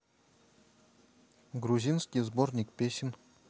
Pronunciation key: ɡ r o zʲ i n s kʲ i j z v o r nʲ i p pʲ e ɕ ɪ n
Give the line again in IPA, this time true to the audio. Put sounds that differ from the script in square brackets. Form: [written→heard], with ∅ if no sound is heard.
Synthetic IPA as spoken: ɡ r [o→u] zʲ i n s kʲ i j z [v→b] o r nʲ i [p→k] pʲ e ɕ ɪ n